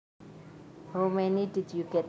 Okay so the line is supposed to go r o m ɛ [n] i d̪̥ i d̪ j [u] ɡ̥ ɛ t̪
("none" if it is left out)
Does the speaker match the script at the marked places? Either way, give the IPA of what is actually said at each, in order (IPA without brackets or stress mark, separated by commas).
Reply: n, u